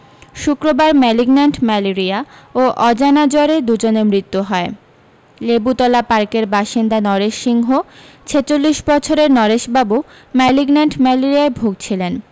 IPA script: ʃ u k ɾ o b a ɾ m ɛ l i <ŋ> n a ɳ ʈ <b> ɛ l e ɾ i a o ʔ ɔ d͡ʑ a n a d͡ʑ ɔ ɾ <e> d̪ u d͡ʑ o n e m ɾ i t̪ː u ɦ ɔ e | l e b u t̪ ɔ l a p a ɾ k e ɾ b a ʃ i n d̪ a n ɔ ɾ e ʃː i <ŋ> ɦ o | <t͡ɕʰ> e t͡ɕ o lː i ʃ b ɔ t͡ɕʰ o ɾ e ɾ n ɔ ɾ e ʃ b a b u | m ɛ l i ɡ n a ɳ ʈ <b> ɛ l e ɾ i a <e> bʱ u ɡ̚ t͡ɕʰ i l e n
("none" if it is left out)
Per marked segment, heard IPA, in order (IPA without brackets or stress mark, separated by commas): ɡ, m, e, ŋ, t͡ɕʰ, m, e